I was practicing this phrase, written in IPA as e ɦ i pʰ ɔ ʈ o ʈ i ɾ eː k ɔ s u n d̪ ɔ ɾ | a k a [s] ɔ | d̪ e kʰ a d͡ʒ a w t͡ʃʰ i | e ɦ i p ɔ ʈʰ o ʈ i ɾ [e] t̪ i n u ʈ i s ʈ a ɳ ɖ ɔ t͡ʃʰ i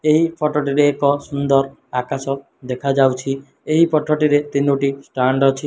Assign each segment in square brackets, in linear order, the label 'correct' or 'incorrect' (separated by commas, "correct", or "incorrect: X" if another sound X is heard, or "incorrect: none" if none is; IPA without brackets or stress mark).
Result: correct, correct